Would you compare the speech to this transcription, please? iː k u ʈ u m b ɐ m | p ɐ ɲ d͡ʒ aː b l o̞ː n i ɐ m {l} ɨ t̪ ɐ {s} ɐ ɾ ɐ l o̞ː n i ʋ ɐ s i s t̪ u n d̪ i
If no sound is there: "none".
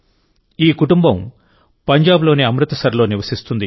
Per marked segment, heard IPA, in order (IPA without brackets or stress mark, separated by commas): ɾ, s